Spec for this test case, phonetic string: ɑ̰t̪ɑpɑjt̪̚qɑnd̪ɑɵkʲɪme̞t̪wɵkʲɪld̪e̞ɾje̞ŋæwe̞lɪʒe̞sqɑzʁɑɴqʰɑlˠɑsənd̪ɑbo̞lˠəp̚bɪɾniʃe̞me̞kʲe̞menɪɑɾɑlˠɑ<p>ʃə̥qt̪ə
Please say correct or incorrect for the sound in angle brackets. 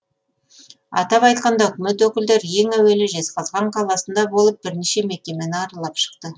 correct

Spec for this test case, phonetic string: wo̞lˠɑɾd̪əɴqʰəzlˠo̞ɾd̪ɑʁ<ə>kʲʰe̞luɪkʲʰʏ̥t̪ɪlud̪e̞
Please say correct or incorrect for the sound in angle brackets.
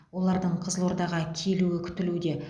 incorrect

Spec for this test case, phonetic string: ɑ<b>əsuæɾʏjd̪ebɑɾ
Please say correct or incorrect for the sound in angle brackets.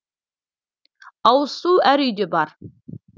incorrect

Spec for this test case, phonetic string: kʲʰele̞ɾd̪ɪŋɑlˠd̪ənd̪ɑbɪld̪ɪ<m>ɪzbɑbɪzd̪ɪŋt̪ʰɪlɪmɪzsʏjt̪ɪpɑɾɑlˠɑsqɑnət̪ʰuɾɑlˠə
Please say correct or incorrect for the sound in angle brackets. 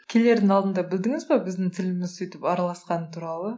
incorrect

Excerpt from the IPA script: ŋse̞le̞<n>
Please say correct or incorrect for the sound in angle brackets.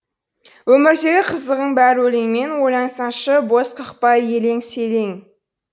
incorrect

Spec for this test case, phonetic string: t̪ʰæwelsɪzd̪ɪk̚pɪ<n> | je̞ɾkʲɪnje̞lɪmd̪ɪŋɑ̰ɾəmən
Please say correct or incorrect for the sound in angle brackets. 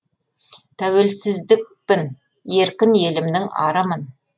correct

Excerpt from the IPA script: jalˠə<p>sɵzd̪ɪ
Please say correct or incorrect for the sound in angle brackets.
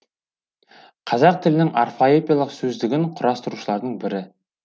incorrect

